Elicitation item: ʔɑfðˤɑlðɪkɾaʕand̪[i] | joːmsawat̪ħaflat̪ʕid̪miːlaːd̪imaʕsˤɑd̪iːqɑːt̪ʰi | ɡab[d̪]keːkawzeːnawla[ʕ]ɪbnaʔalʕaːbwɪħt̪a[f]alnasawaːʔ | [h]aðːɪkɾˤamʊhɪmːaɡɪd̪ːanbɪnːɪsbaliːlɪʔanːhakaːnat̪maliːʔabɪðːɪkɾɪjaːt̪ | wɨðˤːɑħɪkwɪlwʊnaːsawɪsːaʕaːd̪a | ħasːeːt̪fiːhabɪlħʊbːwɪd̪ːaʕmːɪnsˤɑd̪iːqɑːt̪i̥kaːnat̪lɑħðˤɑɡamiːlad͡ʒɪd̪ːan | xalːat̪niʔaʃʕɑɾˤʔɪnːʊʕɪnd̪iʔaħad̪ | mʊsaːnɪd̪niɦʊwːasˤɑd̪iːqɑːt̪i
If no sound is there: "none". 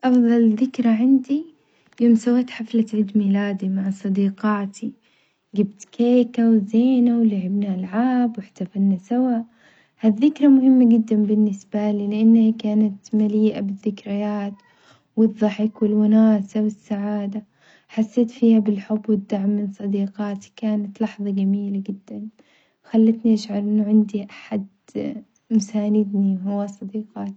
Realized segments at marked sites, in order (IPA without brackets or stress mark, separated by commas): i, t̪, ʕ, f, h